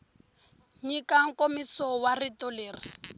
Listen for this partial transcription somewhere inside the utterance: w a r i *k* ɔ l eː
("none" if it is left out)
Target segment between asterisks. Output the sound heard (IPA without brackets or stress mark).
t